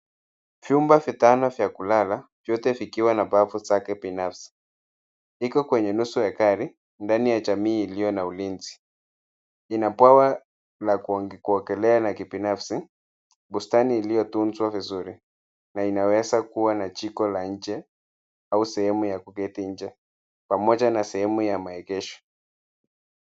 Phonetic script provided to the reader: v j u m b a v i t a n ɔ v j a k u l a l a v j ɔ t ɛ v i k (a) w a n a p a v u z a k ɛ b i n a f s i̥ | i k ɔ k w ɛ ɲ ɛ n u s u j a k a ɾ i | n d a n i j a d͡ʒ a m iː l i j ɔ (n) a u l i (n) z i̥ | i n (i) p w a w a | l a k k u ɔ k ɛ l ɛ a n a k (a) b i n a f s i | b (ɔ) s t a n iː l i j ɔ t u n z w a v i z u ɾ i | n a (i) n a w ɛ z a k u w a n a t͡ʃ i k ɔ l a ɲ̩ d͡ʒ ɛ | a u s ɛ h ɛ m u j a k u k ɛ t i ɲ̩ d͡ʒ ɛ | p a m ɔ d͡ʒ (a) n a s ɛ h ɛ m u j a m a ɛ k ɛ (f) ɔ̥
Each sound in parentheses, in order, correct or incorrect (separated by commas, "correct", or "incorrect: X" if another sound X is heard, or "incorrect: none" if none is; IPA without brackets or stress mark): incorrect: i, correct, correct, incorrect: a, incorrect: i, incorrect: u, correct, correct, incorrect: ʃ